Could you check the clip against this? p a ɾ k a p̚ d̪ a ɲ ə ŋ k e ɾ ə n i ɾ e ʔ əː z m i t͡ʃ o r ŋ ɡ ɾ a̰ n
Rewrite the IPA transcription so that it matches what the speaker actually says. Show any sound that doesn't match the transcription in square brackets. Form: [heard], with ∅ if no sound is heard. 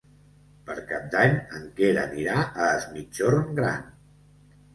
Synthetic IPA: p [ə] ɾ k a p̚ d̪ a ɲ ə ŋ k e ɾ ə n i ɾ [a] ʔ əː z m i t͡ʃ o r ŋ ɡ ɾ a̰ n